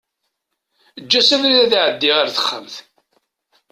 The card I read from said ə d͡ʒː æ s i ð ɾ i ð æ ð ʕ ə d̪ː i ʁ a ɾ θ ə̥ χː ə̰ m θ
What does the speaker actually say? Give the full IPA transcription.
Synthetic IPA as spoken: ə d͡ʒː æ s æ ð ɾ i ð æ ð ʕ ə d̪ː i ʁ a ɾ θ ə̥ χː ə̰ m θ